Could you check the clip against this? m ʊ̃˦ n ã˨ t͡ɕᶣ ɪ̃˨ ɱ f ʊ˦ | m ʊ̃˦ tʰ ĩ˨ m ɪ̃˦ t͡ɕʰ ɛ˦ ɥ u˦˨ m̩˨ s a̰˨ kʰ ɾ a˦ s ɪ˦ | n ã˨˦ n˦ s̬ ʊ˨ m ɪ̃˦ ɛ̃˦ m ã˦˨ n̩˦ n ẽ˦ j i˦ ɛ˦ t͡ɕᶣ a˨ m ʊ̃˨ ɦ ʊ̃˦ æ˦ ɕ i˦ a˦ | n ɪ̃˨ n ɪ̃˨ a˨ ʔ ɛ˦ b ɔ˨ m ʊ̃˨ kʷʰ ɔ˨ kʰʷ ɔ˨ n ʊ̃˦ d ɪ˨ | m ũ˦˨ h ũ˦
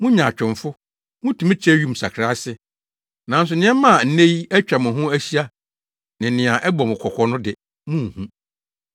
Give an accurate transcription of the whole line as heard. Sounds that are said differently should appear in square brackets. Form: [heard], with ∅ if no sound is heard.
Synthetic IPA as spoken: m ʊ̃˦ [ɲ] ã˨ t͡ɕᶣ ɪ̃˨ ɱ f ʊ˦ | m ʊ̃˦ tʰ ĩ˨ m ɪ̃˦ t͡ɕʰ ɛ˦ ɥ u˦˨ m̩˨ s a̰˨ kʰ ɾ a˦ s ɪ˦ | n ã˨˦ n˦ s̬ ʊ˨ [n] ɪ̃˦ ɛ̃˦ m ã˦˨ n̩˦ n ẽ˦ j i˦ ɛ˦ t͡ɕᶣ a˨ m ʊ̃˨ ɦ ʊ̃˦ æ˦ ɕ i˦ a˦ | n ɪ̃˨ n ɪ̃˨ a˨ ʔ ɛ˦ b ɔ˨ m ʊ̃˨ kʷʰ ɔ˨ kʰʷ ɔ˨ n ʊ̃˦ d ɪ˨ | m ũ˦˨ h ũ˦

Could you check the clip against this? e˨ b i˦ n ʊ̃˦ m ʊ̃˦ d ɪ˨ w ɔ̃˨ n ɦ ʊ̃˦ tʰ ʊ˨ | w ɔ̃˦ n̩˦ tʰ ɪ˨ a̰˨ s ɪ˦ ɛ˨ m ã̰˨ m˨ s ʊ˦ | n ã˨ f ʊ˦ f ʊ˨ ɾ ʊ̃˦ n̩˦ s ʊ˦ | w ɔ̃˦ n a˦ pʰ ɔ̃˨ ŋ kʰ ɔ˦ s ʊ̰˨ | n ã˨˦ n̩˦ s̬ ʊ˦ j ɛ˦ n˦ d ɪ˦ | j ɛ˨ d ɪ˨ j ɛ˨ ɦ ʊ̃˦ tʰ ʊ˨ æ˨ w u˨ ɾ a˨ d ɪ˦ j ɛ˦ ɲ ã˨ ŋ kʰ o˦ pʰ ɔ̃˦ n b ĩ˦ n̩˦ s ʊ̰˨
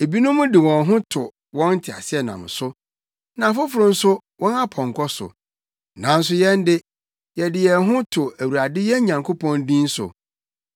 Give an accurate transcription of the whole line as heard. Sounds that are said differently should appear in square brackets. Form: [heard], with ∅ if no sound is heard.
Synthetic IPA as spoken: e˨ b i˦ n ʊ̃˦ m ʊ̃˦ d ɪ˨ w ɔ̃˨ n ɦ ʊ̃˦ tʰ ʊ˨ | w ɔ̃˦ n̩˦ tʰ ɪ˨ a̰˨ s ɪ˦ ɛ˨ [n] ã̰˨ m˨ s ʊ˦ | n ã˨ f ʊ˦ f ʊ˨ ɾ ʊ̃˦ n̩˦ s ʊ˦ | w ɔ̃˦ n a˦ pʰ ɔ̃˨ ŋ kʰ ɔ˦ s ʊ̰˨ | n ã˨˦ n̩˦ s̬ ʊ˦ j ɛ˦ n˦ d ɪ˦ | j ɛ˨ d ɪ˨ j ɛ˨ ɦ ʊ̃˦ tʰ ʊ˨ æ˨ w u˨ ɾ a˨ d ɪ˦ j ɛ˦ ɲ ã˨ ŋ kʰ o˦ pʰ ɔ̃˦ n [d] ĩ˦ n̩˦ s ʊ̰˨

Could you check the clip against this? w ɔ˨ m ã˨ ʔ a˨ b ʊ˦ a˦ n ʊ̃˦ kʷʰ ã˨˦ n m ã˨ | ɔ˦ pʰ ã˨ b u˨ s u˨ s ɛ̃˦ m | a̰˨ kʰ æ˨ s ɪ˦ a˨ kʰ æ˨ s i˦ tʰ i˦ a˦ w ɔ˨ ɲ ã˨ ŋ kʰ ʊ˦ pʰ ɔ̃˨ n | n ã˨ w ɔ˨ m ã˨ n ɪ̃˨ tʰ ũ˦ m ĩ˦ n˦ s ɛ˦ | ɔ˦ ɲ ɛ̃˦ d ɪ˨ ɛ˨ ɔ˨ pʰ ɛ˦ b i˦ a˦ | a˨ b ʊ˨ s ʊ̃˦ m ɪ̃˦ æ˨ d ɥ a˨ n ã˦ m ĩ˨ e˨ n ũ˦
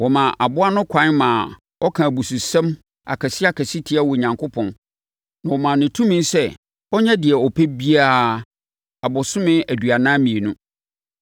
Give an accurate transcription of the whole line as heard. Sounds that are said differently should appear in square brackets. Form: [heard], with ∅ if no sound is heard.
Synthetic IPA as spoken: w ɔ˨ m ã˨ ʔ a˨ b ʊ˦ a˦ n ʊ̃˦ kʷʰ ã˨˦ n m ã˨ | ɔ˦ [kʰ] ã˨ b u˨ s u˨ s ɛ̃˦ m | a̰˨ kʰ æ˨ s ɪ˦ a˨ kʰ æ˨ s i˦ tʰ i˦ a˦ w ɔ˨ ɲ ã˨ ŋ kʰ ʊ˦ pʰ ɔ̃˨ n | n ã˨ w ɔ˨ m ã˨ n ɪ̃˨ tʰ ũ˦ m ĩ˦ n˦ s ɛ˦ | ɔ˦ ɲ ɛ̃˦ d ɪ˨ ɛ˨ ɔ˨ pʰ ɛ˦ b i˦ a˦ | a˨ b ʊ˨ s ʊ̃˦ m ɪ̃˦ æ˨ d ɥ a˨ n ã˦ m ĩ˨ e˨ n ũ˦

